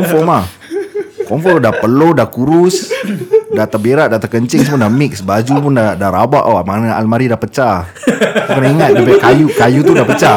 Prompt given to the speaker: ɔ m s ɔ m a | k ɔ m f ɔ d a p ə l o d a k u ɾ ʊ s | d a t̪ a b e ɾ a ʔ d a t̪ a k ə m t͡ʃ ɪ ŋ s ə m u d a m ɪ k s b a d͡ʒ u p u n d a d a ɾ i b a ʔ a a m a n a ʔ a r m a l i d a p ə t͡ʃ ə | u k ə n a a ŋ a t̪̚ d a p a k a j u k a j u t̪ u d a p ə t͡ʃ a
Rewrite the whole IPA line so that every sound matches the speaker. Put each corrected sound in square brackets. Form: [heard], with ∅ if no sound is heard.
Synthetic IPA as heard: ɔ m [f] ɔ m a | k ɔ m f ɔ d a p ə l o d a k u ɾ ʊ s | d a t̪ a b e ɾ a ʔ d a t̪ a k ə [ɲ] t͡ʃ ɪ ŋ s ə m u d a m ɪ k s b a d͡ʒ u p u n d a d a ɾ [a] b a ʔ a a m a n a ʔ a [l] m a [ɾ] i d a p ə t͡ʃ [a] | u k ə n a [i] ŋ a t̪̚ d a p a k a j u k a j u t̪ u d a p ə t͡ʃ a